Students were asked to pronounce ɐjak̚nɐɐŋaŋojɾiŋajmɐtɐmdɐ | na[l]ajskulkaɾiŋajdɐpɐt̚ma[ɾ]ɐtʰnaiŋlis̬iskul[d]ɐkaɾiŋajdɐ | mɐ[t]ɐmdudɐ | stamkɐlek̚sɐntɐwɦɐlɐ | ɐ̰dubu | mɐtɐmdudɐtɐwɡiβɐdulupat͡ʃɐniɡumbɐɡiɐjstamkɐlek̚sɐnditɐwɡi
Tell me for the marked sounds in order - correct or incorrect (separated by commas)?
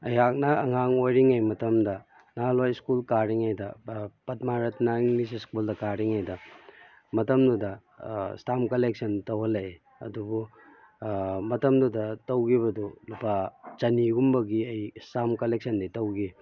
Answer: correct, correct, correct, correct